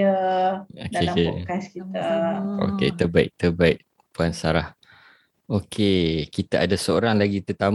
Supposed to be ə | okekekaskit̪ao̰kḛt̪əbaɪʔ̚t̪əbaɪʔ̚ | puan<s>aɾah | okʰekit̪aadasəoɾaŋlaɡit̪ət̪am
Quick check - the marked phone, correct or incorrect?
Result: correct